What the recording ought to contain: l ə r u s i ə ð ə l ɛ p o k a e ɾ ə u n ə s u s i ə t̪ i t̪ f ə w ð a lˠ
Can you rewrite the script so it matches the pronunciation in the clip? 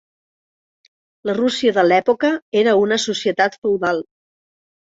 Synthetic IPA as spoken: l ə r u s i ə ð ə l ɛ p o k ə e ɾ ə u n ə s u s i ə t̪ a t̪ f ə w ð a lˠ

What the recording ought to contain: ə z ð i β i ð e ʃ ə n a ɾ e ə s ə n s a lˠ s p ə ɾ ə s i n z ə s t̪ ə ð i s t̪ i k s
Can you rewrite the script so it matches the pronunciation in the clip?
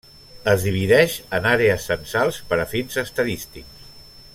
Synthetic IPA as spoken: ə z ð i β i ð ɛ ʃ ə n a ɾ e ə s ə n s a lˠ s p ə ɾ ə f i n z ə s t̪ ə ð i s t̪ i k s

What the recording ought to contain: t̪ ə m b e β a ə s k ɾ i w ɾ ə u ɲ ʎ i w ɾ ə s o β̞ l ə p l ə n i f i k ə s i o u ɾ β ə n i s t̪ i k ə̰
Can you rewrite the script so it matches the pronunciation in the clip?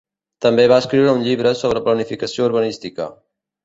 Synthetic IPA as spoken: t̪ ə m b e β a ə s k ɾ i w ɾ ə u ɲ ʎ i β ɾ ə s o β̞ ɾ ə p l ə n i f i k ə s i o u ɾ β ə n i s t̪ i k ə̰

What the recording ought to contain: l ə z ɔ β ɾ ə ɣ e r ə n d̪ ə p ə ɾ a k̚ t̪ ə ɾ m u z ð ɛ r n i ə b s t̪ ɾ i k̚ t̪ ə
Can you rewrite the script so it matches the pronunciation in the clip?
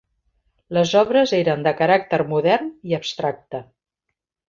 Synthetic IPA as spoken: l ə z ɔ β ɾ ə z e ɾ ə n d̪ ə k ə ɾ a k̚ t̪ ə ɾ m u ð ɛ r n i ə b s t̪ ɾ a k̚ t̪ ə

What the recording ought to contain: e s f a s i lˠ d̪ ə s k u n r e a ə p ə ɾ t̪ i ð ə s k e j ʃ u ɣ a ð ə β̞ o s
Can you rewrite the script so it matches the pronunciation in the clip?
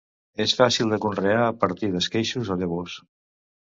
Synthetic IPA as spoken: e s f a s i lˠ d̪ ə k u n r e a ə p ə ɾ t̪ i ð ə s k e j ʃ u z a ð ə β̞ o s

